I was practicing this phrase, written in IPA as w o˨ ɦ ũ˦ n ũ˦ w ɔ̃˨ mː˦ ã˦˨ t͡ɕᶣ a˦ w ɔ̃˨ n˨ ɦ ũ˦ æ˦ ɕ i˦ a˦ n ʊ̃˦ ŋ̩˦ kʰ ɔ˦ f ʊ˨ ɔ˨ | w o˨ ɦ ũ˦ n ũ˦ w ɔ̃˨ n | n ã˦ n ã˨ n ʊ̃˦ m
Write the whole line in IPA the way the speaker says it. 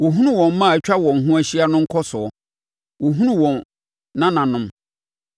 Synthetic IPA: w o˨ ɦ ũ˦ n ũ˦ w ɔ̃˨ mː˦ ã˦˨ t͡ɕᶣ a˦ w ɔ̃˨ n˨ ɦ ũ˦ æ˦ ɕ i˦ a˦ n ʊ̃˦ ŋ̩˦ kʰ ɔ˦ s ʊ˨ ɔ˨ | w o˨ ɦ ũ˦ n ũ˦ w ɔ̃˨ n | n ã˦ n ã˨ n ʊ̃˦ m